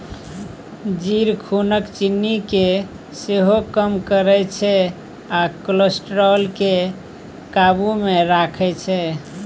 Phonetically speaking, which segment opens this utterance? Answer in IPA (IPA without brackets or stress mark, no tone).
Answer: d͡ʒ